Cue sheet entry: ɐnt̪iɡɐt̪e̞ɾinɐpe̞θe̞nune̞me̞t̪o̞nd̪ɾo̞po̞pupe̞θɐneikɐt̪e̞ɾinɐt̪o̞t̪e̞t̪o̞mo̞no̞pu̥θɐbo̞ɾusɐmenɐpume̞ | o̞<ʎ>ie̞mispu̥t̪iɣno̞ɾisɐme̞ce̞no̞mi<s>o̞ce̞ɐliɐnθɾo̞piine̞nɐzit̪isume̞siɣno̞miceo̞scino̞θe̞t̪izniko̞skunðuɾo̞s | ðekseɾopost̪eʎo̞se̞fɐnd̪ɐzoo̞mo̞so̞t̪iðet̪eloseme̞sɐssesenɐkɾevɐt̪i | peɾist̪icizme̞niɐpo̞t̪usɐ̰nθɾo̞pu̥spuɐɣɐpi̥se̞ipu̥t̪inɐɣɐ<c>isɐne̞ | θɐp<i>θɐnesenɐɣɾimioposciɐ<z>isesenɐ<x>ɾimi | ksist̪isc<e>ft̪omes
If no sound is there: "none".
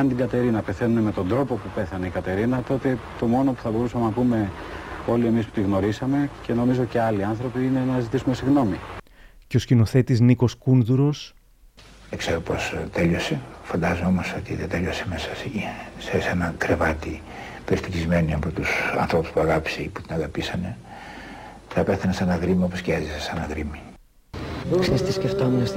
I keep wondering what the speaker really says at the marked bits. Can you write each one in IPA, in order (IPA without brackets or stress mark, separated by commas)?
l, z, p, e, z, ɣ, e